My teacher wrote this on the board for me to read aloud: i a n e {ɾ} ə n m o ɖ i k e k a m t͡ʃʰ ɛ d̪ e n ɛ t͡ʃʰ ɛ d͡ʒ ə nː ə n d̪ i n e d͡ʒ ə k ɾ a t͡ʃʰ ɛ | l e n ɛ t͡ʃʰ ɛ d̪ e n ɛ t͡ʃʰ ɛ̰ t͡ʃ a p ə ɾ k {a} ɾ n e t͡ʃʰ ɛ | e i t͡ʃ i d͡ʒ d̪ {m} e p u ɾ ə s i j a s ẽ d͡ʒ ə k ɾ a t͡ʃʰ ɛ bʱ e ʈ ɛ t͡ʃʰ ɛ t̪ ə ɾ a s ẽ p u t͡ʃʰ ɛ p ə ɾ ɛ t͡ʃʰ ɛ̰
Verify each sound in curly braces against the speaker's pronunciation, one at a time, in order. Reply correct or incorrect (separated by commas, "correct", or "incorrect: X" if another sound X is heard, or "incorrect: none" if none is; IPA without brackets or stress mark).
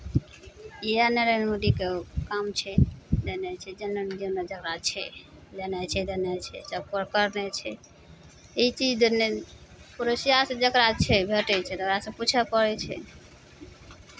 correct, incorrect: ə, incorrect: n